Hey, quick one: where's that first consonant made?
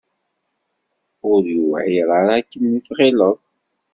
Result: tongue tip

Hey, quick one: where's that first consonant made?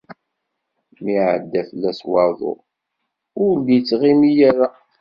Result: lips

